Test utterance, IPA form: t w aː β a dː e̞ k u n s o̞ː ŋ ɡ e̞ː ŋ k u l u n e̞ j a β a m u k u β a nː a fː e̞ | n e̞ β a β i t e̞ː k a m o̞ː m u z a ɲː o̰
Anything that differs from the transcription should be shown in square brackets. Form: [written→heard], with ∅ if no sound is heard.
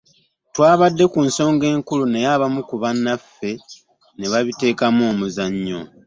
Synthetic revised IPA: t w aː β a dː e̞ k u n s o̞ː ŋ ɡ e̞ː ŋ k u l u n e̞ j a β a m u k u β a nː a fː e̞ | n e̞ β a β i t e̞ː k a m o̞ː m u z a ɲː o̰